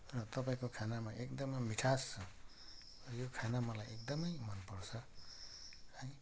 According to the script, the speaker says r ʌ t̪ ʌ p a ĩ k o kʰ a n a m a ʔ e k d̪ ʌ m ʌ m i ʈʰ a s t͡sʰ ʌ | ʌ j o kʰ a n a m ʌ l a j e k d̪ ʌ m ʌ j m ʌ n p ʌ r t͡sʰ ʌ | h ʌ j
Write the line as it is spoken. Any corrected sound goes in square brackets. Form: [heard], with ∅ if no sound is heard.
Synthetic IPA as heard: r ʌ t̪ ʌ p a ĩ k o kʰ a n a m a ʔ e k d̪ ʌ m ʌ m i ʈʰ a s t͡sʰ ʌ | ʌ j o kʰ a n a m ʌ l a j e k d̪ ʌ m ʌ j m ʌ n p ʌ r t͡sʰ ʌ | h ʌ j